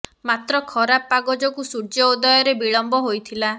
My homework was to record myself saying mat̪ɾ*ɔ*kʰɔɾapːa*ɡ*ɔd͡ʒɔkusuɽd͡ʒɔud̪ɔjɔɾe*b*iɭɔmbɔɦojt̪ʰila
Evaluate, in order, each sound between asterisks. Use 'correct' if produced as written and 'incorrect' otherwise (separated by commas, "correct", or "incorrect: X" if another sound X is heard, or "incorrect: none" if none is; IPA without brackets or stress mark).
correct, correct, correct